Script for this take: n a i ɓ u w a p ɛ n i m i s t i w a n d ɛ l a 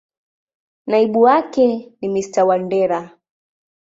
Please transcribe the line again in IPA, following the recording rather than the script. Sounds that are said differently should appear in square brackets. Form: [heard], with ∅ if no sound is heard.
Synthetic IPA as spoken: n a i ɓ u w a [k] ɛ n i m i s t [a] w a n d ɛ [ɾ] a